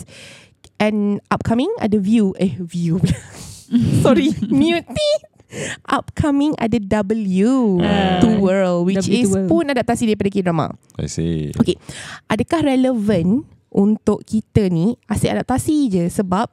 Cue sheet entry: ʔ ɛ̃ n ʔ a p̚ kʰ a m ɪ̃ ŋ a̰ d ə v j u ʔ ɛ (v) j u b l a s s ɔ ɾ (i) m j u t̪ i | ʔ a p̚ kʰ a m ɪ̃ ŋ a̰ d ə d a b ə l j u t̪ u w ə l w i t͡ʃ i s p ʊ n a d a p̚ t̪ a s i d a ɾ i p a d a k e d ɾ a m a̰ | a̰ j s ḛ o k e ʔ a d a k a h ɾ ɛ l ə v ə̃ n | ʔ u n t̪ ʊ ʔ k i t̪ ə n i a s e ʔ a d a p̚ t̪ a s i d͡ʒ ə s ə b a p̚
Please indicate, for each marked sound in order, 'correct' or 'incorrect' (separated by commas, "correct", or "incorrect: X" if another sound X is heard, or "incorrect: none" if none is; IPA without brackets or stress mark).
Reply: correct, correct